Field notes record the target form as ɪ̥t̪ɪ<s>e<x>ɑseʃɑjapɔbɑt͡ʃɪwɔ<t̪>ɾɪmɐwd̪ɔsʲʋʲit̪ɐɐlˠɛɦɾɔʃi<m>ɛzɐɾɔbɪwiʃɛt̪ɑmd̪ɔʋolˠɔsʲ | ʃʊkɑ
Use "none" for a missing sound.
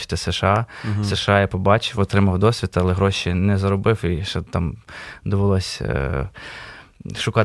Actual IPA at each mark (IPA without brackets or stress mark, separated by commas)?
s, ʃ, t̪, n